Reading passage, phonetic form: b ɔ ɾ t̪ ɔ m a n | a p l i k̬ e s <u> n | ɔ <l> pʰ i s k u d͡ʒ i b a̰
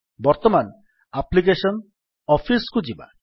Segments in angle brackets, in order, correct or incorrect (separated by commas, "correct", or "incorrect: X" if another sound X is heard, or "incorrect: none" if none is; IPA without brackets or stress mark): incorrect: ɔ, incorrect: none